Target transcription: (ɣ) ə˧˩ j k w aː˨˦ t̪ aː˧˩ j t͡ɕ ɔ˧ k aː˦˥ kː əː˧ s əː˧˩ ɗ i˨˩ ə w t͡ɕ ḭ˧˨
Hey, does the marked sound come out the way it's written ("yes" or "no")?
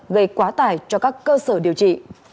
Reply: yes